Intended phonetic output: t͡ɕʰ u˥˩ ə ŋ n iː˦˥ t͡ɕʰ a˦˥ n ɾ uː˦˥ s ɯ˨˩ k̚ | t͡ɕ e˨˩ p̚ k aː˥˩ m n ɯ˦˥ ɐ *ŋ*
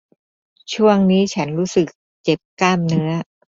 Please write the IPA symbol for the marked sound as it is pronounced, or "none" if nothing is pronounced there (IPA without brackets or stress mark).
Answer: none